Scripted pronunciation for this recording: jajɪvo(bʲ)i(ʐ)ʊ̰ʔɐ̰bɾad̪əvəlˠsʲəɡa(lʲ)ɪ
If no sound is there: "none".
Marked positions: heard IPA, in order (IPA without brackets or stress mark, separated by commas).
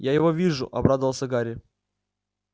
vʲ, ʐ, ɾʲ